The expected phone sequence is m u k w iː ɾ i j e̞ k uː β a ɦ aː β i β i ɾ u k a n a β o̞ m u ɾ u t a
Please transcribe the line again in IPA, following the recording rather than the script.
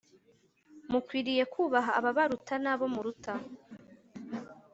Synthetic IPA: m u k w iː ɾ i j e̞ k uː β a ɦ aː β a β a ɾ u t a n a β o̞ m u ɾ u t a